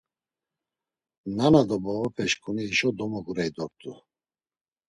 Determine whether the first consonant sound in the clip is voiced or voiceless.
voiced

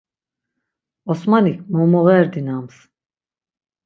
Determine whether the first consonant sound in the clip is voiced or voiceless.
voiceless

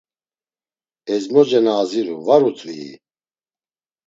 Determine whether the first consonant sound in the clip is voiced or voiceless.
voiced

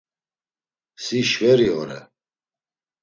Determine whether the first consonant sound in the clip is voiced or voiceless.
voiceless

